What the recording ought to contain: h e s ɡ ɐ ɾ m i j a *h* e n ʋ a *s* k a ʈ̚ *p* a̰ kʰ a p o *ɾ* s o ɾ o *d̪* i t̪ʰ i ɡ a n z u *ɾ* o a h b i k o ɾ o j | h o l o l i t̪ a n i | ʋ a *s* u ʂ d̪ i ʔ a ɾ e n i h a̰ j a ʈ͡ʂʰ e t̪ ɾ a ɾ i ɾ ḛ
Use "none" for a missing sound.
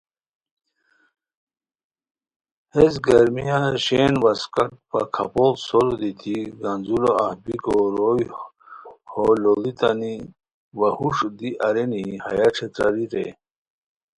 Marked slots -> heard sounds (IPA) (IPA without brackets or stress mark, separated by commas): ɕ, s, p, l, d̪, l, h